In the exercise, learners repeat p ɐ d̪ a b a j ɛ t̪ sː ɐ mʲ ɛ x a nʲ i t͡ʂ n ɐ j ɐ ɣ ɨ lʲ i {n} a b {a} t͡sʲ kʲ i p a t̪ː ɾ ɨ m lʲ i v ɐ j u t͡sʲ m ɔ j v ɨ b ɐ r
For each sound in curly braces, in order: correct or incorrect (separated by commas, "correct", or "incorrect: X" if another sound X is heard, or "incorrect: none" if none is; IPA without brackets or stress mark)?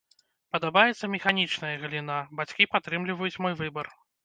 correct, correct